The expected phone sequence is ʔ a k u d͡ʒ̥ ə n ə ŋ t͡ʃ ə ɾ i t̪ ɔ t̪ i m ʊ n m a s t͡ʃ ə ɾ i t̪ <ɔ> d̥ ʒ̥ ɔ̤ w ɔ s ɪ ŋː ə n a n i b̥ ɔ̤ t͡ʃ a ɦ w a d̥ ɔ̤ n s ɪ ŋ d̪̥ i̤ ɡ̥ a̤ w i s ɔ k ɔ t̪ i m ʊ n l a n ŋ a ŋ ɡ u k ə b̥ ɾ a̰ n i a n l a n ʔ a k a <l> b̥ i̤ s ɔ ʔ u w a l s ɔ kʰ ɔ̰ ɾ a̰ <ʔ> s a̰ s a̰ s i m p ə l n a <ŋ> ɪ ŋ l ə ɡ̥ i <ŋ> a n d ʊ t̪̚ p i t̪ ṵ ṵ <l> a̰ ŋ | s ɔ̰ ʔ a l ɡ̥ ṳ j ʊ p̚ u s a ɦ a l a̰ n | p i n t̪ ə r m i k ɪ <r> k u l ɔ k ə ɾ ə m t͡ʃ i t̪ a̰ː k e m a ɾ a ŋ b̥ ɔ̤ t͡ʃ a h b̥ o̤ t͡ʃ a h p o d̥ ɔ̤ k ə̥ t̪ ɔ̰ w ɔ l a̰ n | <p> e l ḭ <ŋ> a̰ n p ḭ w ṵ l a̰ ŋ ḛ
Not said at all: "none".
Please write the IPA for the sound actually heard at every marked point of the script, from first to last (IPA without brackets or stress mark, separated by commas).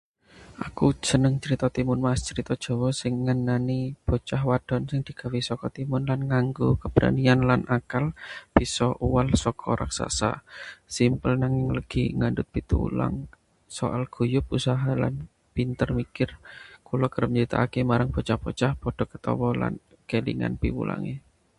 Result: ɔ, l, k, ŋ, ŋ, l, r, k, ŋ